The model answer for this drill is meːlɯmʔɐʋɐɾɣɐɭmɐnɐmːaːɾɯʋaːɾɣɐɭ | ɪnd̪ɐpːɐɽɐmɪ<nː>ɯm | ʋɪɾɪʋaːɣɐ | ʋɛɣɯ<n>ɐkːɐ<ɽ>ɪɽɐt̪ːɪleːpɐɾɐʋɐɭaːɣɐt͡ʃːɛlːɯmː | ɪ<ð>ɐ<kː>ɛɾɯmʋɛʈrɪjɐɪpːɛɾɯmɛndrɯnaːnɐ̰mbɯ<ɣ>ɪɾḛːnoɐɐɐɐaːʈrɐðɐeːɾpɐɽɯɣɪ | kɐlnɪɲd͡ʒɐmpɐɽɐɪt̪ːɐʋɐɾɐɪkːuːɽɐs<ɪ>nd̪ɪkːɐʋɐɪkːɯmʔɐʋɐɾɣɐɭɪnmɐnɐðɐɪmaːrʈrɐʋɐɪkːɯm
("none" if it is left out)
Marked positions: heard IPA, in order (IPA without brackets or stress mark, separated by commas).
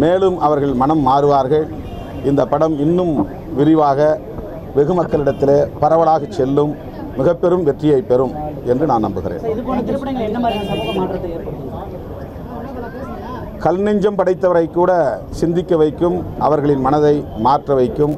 nː, m, ɭ, ɣ, pː, ɣ, ɪ